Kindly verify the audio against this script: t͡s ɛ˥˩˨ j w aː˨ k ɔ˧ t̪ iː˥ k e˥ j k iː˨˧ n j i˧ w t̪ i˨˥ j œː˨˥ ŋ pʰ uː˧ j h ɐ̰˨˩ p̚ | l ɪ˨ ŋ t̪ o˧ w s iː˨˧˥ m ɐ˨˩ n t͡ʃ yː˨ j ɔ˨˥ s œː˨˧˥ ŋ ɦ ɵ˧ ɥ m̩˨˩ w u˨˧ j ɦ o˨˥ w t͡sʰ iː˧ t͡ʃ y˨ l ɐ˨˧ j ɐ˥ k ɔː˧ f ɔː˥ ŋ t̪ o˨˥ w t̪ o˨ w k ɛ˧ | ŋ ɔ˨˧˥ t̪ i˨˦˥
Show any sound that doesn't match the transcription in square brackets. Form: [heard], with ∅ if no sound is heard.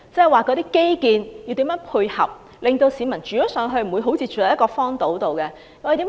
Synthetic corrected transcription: t͡s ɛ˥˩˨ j w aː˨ k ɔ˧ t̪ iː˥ k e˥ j k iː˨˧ n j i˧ w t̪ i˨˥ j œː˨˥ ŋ pʰ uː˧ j h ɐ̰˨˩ p̚ | l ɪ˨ ŋ t̪ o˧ w s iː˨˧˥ m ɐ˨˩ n t͡ʃ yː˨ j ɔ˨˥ s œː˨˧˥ ŋ ɦ ɵ˧ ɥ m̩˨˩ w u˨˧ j ɦ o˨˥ w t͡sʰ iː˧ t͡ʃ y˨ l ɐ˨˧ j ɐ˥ k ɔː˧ f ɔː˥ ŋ t̪ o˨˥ w t̪ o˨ w k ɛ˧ | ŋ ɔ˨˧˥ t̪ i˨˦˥